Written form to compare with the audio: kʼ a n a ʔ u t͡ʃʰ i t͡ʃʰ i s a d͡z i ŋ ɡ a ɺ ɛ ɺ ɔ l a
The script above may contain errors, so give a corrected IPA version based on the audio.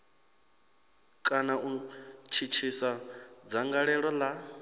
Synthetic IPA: kʼ a n a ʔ u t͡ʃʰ i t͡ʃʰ i s a d͡z a ŋ ɡ a ɺ ɛ ɺ ɔ l a